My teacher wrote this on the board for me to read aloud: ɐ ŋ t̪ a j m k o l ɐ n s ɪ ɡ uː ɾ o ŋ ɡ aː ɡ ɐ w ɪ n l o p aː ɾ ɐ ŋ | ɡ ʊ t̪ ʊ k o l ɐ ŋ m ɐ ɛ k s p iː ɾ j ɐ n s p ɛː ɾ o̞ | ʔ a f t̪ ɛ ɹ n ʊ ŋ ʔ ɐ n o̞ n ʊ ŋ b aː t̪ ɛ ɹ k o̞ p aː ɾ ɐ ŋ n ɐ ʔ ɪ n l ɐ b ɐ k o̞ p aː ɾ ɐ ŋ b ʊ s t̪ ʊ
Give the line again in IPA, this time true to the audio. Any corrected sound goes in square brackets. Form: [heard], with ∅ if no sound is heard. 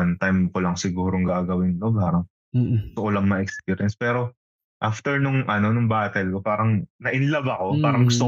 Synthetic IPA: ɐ [n] t̪ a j m k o l ɐ [ŋ] s ɪ ɡ uː ɾ o ŋ ɡ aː ɡ ɐ w ɪ n l o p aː ɾ ɐ ŋ | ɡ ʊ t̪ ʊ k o l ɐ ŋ m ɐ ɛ k s p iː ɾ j ɐ n s p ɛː ɾ o̞ | ʔ a f t̪ ɛ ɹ n ʊ ŋ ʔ ɐ n o̞ n ʊ ŋ b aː t̪ ɛ [l] k o̞ p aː ɾ ɐ ŋ n ɐ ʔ ɪ n l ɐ b ɐ k o̞ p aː ɾ ɐ ŋ [ɡ] ʊ s t̪ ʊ